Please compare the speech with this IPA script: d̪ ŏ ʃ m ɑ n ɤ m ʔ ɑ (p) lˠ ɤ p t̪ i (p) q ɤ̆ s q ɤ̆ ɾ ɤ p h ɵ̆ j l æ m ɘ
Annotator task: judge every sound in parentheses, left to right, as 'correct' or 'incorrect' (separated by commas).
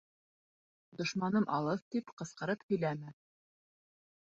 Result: incorrect, correct